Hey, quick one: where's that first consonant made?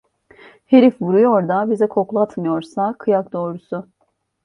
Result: throat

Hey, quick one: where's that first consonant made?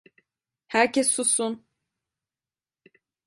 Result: throat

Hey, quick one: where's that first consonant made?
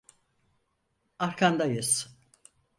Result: tongue tip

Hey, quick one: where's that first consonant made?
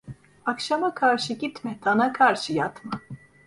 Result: velum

